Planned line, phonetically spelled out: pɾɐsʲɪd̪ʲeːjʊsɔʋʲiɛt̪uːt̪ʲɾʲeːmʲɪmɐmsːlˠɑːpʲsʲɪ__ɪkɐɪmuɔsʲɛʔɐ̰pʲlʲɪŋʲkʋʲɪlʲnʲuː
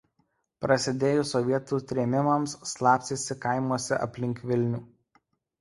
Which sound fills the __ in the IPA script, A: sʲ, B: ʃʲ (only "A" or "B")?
A